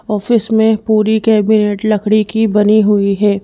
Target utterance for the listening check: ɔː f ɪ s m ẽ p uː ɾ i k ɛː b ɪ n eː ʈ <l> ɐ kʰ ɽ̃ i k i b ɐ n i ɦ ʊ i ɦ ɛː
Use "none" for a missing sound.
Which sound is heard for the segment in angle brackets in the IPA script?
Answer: l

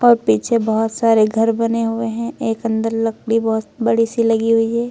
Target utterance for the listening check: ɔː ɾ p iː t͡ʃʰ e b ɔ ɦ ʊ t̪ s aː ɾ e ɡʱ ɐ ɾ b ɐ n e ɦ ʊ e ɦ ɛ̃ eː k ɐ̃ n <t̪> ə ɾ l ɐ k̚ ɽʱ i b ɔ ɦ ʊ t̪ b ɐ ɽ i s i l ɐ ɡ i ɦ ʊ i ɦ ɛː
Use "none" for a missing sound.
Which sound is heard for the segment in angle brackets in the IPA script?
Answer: d̪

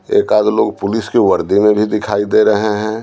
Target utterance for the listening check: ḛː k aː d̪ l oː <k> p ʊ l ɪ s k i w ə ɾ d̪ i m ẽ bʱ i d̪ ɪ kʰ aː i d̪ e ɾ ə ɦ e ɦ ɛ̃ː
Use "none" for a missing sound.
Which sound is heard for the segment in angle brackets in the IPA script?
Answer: ɡ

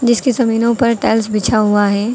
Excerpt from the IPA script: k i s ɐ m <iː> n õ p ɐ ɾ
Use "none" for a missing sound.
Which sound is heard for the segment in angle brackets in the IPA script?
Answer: iː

